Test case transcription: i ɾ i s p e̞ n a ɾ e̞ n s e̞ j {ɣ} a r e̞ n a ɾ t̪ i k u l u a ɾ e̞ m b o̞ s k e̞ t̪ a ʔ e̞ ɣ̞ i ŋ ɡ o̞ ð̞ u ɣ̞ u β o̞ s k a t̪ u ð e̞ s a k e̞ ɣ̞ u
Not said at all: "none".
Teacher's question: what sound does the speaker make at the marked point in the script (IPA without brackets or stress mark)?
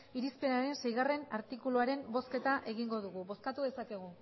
ɣ